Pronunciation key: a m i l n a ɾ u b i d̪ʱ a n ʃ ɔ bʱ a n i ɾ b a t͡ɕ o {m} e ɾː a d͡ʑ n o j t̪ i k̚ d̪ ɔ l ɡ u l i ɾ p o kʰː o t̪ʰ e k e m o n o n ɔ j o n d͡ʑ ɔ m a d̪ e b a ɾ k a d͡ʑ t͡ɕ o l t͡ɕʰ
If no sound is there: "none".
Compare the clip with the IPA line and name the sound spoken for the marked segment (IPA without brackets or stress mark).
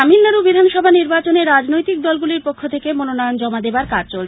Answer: n